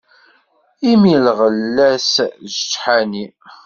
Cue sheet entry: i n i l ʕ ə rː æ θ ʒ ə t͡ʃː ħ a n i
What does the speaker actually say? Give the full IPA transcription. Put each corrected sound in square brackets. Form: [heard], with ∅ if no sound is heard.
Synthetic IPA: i [m] i l [ʁ] ə [lː] æ [s] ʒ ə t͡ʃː ħ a n i

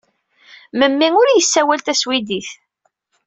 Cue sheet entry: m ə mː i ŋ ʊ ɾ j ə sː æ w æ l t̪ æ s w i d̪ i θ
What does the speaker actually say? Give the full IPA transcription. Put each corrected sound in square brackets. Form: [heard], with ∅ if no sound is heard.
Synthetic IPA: m ə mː i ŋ ʊ ɾ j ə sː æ w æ l t̪ æ s w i d̪ i θ

